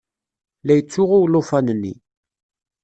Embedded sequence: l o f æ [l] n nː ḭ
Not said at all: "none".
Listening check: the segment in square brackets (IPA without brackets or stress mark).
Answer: none